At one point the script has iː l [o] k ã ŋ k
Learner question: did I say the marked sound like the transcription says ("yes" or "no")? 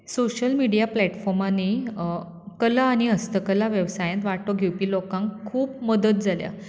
yes